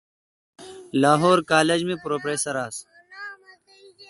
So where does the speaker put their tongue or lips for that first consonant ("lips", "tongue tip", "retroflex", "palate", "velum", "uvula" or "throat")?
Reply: tongue tip